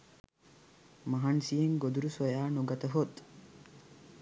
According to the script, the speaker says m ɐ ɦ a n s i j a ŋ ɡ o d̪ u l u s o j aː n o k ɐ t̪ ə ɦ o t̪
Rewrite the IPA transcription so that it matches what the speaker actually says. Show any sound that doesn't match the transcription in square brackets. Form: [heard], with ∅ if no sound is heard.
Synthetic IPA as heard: m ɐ ɦ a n s i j [e] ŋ ɡ o d̪ u [ɾ] u s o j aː n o [ɡ] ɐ t̪ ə ɦ o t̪